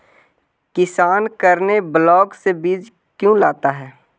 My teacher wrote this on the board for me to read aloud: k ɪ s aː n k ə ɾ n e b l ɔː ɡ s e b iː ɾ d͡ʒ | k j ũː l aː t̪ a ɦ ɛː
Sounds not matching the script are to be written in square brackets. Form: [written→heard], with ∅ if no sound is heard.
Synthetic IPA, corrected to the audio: k ɪ s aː n k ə ɾ n e b l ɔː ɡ s e b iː [ɾ→∅] d͡ʒ | k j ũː l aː t̪ a ɦ ɛː